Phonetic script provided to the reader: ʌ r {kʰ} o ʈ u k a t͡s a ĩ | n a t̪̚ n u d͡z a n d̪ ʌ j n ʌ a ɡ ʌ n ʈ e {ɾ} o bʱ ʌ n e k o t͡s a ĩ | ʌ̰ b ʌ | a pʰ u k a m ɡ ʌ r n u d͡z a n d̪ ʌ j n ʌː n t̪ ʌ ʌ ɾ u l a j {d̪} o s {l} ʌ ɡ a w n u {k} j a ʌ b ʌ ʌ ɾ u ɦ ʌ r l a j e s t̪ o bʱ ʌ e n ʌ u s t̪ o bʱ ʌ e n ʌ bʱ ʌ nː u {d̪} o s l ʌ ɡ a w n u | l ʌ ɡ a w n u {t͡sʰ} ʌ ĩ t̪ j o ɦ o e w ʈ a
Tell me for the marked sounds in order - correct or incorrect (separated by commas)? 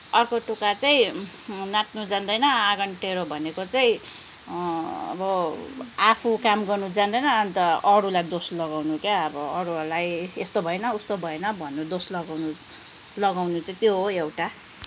incorrect, correct, correct, correct, correct, correct, incorrect